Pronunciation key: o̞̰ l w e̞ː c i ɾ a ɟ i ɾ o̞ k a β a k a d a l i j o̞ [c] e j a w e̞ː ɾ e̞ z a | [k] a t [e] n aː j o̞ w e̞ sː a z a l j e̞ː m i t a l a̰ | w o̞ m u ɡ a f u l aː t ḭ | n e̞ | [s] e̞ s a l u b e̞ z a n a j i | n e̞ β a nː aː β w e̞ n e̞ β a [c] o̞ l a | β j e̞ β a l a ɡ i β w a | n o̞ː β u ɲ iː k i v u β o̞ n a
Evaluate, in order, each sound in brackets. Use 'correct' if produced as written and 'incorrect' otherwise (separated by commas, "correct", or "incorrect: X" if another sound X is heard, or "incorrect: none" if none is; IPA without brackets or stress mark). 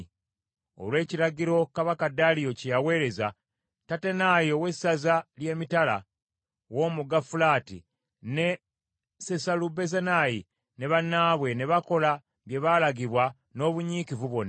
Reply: correct, incorrect: t, correct, correct, incorrect: k